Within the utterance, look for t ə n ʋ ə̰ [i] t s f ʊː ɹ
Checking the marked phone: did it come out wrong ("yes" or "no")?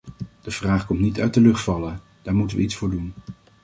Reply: no